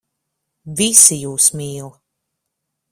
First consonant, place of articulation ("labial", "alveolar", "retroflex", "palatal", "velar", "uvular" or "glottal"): labial